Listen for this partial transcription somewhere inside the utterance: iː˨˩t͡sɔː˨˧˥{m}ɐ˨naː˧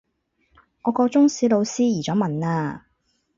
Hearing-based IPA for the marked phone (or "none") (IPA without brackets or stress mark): m